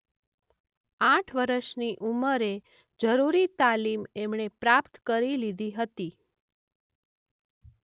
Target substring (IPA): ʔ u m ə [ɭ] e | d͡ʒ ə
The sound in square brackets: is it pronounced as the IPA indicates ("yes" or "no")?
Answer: no